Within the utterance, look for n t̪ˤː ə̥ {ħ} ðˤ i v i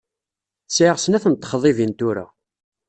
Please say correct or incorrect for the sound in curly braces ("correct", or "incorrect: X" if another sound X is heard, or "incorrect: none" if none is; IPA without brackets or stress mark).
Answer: incorrect: χ